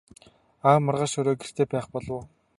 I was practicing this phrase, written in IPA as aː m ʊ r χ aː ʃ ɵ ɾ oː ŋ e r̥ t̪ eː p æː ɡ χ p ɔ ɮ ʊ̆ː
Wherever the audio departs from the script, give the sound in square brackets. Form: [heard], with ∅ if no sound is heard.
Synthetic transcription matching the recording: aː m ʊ r [ʁ] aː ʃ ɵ ɾ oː [ɡ] e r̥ t̪ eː p æː [∅] χ p ɔ ɮ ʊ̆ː